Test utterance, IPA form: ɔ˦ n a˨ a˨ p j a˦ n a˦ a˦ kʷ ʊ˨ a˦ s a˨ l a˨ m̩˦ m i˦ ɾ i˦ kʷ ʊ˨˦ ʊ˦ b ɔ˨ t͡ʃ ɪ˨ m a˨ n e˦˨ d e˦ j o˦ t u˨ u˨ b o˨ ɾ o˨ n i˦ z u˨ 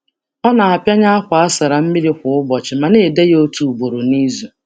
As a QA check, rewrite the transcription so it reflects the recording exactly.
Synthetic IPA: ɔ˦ n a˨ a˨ p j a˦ ɲ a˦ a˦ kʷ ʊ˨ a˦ s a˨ ɾ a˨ m̩˦ m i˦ ɾ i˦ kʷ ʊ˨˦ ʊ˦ b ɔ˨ t͡ʃ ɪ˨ m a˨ n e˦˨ d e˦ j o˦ t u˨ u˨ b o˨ ɾ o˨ n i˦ z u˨